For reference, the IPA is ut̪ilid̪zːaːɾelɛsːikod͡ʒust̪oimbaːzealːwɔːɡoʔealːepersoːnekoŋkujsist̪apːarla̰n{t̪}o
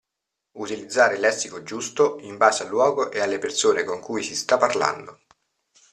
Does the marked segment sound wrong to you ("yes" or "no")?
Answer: yes